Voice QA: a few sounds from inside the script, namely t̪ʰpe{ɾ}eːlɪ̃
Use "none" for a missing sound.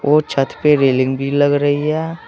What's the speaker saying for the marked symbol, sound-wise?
ɾ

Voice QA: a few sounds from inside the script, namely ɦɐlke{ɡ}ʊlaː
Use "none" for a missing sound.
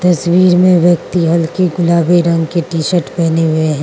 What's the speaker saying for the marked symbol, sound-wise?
ɡ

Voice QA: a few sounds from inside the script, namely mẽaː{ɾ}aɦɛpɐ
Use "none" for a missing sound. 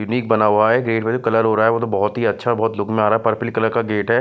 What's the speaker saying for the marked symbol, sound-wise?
ɾ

